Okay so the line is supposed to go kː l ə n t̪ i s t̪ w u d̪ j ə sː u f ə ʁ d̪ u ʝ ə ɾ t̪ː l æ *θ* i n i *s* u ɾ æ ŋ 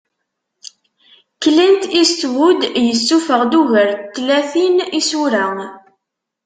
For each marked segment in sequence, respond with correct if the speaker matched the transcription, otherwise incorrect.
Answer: correct, correct

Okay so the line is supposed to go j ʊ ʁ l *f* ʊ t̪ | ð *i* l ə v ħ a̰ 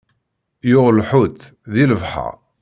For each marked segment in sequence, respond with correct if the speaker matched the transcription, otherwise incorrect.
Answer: incorrect, correct

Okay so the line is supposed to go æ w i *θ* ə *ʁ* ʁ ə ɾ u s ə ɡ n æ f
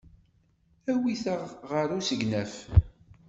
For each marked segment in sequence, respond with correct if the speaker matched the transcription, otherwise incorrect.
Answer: correct, correct

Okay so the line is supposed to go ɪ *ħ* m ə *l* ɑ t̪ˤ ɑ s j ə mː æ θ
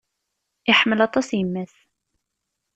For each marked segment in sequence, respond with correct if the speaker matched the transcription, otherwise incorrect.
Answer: correct, correct

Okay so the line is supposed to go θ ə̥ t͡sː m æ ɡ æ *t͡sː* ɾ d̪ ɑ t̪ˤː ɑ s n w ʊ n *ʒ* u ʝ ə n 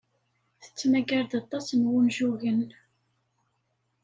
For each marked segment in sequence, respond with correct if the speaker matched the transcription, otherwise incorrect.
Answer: incorrect, correct

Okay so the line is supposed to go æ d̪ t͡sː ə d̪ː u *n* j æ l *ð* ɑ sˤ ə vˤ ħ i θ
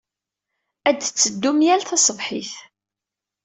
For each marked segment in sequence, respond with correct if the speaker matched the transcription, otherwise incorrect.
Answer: incorrect, incorrect

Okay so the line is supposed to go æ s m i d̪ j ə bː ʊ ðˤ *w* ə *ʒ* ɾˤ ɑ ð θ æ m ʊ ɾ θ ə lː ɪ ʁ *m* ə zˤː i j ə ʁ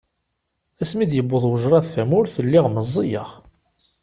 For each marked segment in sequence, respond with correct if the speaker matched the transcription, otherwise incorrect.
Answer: correct, correct, correct

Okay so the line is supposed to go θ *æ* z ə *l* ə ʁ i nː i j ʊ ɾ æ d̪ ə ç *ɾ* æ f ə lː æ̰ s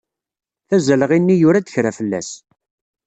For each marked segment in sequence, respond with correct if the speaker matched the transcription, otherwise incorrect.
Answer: correct, correct, correct

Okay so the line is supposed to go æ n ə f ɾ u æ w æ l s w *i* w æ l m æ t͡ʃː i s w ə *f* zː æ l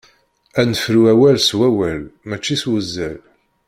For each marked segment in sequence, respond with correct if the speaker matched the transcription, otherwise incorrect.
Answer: incorrect, incorrect

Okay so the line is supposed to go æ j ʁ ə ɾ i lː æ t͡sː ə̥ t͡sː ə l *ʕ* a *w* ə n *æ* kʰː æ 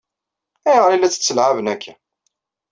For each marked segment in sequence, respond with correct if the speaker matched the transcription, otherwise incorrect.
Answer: correct, incorrect, correct

